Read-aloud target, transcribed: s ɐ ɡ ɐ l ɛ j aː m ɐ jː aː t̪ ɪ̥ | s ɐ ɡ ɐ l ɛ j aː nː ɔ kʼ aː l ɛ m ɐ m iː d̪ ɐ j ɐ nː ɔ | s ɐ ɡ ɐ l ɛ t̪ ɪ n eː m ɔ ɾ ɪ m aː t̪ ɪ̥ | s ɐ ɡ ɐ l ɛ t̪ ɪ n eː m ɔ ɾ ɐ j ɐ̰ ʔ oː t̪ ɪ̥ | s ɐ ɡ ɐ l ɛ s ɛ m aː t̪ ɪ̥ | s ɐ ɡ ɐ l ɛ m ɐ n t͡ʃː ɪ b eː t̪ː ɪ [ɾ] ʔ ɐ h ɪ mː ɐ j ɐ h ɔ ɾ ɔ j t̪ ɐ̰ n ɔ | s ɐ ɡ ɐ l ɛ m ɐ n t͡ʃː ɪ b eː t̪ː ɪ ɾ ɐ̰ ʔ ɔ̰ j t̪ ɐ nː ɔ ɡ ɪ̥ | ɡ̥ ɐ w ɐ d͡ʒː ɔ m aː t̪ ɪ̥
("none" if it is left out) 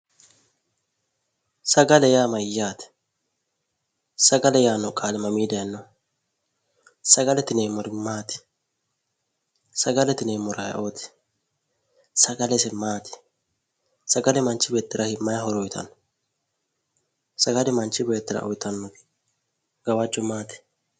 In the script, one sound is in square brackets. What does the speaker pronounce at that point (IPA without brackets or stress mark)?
ɾ